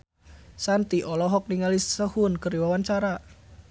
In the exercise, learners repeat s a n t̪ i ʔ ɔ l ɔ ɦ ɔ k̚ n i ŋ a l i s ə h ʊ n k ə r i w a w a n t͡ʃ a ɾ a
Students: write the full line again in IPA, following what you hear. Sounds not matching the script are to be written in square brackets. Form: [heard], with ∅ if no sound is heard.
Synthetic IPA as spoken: s a n t̪ i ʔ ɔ l ɔ ɦ ɔ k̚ n i ŋ a l i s ə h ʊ n k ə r i w a w a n t͡ʃ a ɾ a